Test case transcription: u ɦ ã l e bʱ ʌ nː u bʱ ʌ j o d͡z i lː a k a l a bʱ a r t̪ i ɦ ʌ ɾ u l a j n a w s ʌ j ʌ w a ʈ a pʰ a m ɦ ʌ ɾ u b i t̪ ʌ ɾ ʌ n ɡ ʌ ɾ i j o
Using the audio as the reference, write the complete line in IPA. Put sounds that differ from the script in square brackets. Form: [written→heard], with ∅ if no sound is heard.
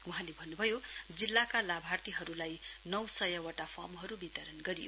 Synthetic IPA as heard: u ɦ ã l e bʱ ʌ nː u bʱ ʌ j o d͡z i lː a k a l a bʱ a r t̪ i ɦ ʌ ɾ u l a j n [a→ʌ] w s ʌ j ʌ w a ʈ a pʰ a m ɦ ʌ ɾ u b i t̪ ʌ ɾ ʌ n ɡ ʌ ɾ i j o